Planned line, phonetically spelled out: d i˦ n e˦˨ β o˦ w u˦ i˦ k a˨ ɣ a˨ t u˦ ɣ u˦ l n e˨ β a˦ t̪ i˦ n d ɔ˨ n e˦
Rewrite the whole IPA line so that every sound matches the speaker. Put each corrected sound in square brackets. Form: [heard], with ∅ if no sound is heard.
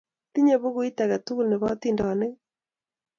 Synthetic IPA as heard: [t] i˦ [ɲ] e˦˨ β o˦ [ɣ] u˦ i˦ [t] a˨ ɣ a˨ t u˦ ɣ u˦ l n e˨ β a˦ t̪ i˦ n d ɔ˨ n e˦